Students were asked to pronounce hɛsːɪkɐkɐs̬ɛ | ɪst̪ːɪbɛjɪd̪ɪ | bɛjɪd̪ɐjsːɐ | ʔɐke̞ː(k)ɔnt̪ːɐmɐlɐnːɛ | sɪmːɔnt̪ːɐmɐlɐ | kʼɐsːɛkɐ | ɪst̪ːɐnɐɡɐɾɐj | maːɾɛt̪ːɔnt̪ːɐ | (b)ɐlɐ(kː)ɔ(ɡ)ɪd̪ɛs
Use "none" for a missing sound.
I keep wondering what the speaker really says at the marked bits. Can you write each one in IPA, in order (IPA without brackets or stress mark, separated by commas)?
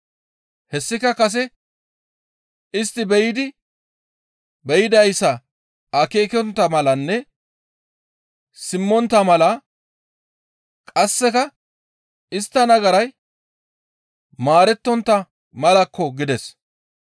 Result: k, m, kː, ɡ